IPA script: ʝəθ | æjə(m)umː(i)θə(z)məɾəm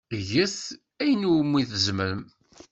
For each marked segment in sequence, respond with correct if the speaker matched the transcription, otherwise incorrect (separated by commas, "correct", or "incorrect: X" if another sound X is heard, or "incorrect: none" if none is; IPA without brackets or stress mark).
incorrect: n, correct, correct